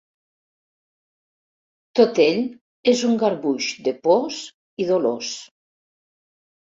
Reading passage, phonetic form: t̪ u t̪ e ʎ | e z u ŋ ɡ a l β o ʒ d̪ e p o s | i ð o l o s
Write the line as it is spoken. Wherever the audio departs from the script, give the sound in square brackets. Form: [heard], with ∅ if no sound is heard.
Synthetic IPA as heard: t̪ [o] t̪ e ʎ | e z u ŋ ɡ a [ɾ] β [u] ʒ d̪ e p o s | i ð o l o s